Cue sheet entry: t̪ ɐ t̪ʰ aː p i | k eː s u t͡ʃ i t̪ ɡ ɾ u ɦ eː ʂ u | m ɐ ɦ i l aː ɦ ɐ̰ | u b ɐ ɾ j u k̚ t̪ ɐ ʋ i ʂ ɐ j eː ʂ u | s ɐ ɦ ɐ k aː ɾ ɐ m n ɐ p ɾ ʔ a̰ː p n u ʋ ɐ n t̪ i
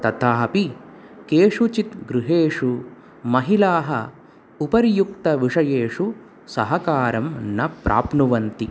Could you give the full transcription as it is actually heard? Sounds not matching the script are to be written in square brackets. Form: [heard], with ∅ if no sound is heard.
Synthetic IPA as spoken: t̪ ɐ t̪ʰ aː p i | k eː [ʂ] u t͡ʃ i t̪ ɡ ɾ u ɦ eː ʂ u | m ɐ ɦ i l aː ɦ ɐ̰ | u [p] ɐ ɾ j u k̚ t̪ ɐ ʋ i ʂ ɐ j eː ʂ u | s ɐ ɦ ɐ k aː ɾ ɐ m n ɐ p ɾ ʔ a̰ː p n u ʋ ɐ n t̪ i